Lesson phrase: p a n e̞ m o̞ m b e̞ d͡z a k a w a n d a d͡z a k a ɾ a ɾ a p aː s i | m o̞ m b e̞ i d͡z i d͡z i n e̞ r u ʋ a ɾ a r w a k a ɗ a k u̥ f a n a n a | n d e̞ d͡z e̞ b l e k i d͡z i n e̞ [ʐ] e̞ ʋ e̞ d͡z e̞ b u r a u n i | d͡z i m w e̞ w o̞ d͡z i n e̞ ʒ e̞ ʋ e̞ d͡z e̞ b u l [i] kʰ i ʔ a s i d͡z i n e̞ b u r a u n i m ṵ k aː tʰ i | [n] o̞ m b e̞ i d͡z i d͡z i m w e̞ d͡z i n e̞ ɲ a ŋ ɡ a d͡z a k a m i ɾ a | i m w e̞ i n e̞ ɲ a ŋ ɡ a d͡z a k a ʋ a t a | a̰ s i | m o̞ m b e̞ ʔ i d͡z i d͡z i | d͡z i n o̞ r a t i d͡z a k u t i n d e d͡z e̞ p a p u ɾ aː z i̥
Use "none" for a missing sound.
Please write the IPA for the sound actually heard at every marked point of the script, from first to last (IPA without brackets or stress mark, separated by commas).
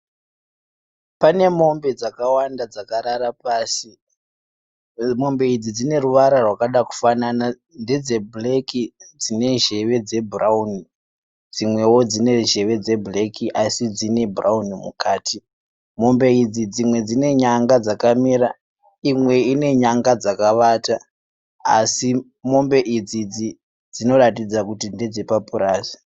ʒ, e, m